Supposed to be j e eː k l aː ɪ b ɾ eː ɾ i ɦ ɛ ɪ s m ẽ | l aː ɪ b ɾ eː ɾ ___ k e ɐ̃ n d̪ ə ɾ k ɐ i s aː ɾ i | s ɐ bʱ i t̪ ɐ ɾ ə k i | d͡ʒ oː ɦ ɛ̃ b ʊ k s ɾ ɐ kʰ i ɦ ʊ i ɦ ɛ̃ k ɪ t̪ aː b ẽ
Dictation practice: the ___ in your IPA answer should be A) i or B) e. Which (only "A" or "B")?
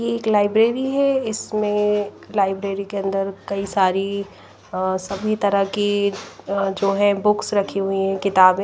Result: A